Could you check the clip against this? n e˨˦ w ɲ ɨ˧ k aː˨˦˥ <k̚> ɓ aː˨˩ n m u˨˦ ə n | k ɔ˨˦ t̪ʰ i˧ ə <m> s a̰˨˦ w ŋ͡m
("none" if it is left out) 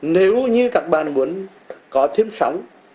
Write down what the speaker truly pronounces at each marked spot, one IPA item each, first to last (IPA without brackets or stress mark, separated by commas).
k̚, m